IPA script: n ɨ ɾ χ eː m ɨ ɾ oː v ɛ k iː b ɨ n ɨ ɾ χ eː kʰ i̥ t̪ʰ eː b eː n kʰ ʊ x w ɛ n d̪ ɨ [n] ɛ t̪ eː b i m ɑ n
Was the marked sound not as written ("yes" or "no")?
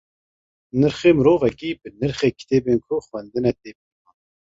no